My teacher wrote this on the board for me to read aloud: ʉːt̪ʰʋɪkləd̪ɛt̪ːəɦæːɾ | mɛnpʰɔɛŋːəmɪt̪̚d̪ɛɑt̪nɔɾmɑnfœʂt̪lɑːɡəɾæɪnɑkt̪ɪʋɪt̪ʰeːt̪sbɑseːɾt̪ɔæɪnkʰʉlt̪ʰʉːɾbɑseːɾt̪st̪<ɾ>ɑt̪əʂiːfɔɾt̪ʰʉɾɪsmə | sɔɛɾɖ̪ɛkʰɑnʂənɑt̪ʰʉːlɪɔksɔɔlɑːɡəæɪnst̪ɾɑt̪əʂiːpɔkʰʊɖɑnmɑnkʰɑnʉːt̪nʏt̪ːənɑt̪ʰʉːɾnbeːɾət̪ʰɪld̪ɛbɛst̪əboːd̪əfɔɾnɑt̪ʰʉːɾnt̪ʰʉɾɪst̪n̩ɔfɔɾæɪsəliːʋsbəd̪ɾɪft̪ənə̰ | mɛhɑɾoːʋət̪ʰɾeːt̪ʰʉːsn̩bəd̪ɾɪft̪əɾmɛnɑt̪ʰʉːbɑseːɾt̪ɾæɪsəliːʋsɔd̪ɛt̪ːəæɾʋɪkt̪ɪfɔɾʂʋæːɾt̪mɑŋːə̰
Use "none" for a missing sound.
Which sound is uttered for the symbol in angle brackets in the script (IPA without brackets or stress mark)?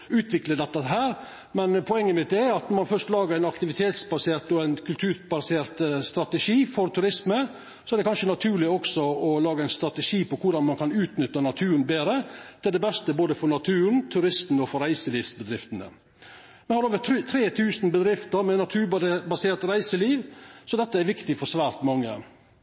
ɾ